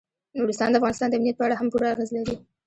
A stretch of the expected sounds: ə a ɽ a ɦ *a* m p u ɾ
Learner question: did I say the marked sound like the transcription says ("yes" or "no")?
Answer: yes